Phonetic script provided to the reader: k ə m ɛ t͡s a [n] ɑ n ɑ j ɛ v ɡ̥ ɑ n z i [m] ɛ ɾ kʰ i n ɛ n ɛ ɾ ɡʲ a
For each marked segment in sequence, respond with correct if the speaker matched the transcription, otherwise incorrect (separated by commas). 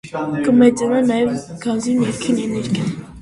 correct, incorrect